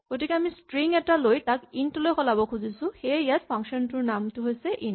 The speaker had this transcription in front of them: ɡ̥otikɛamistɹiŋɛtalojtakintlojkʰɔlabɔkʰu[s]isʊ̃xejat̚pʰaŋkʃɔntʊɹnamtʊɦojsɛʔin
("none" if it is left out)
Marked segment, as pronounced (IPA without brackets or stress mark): z